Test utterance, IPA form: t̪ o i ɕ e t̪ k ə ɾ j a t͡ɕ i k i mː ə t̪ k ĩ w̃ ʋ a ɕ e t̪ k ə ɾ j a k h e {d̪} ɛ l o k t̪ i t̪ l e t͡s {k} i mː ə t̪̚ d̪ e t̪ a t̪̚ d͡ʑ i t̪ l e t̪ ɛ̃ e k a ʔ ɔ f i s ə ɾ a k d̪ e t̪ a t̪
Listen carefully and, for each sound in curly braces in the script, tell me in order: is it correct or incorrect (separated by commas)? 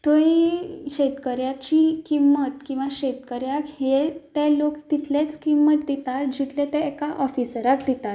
incorrect, correct